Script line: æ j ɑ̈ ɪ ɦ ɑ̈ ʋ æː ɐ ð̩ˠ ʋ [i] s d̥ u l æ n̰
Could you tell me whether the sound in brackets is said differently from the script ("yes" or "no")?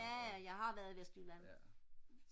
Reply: yes